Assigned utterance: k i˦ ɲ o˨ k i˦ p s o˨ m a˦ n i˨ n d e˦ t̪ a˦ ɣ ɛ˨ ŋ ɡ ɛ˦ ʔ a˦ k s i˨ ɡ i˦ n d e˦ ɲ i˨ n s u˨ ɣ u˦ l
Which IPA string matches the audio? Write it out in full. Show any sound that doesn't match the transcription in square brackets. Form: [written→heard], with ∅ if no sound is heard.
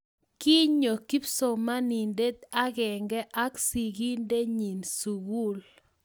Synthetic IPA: k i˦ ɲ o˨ k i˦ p s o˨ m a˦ n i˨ n d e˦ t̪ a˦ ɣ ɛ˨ ŋ ɡ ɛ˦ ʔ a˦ k s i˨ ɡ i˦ n d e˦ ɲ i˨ n s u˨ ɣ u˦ l